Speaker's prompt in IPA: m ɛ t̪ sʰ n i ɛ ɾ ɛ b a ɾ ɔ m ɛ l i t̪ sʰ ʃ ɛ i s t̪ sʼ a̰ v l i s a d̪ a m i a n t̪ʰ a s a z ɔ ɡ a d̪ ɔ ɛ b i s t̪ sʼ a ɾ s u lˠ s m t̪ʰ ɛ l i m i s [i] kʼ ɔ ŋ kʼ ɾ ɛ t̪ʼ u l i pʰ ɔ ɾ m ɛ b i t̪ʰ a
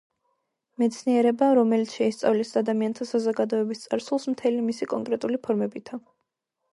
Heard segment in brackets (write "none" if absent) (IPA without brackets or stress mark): i